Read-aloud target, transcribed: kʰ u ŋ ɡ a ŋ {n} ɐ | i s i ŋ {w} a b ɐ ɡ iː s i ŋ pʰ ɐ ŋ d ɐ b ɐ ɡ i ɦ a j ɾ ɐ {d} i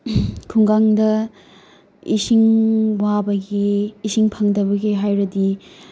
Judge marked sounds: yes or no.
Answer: no, yes, yes

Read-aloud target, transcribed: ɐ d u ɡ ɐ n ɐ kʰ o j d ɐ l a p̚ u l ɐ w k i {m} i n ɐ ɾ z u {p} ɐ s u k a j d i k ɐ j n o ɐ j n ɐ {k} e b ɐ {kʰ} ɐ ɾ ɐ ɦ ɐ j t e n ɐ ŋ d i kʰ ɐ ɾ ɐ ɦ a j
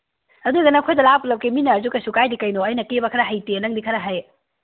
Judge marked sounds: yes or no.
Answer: yes, no, yes, yes

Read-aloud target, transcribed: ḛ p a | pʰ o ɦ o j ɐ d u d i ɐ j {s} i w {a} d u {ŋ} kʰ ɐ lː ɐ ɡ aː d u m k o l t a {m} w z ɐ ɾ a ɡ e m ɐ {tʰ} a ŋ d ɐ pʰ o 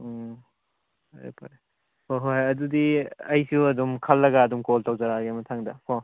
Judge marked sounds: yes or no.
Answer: yes, no, no, no, yes

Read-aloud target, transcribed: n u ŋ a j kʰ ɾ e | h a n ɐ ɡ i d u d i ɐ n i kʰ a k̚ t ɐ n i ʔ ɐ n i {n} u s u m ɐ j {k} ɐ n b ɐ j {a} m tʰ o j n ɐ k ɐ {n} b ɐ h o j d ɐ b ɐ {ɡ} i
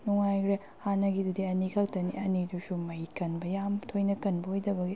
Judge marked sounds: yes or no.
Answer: no, yes, yes, yes, yes

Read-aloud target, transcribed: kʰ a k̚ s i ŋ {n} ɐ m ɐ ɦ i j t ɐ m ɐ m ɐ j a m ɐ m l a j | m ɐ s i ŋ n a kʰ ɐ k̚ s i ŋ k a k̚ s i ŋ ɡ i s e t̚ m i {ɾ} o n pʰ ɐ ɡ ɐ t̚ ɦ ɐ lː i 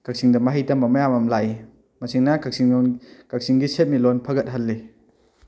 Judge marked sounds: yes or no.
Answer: no, no

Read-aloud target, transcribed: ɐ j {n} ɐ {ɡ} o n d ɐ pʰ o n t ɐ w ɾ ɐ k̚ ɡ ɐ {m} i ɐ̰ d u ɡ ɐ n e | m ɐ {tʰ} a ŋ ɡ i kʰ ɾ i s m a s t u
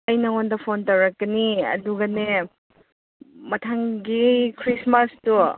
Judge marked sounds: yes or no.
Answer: yes, no, no, yes

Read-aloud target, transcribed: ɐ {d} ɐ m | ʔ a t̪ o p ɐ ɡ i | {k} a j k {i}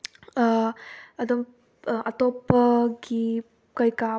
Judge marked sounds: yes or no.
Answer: yes, yes, no

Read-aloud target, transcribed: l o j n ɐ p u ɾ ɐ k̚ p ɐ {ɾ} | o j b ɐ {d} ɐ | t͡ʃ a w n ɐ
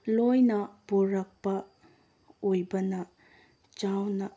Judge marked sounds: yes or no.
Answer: no, no

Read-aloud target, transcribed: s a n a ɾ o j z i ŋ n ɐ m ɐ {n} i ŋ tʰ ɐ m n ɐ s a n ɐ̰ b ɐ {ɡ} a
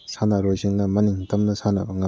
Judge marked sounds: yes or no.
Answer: yes, no

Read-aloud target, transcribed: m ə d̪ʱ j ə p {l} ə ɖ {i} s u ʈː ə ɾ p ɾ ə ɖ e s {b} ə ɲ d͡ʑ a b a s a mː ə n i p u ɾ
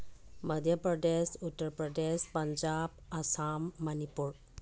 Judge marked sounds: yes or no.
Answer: no, no, no

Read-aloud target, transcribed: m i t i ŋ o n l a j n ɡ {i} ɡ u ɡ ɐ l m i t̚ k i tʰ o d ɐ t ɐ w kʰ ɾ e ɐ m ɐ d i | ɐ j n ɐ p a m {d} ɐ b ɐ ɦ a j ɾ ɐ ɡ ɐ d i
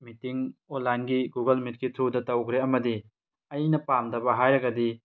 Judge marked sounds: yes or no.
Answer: yes, yes

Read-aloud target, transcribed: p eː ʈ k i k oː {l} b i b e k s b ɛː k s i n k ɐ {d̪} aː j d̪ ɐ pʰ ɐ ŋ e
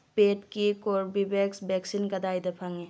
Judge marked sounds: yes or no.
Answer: no, yes

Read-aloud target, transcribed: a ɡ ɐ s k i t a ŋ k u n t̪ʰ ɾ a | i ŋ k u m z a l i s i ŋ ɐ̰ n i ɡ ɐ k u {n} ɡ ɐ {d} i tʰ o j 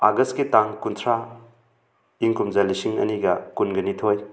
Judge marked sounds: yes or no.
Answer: yes, no

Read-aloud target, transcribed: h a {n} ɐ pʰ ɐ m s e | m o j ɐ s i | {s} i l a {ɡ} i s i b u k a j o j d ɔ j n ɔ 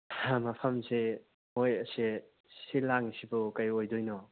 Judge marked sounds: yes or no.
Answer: no, yes, no

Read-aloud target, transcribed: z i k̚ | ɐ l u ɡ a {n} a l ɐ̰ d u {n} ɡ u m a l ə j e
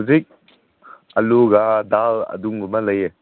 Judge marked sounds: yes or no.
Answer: no, no

